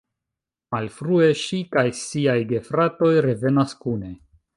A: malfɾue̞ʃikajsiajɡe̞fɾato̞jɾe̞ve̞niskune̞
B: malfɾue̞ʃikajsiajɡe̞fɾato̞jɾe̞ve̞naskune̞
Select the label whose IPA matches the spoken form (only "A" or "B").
B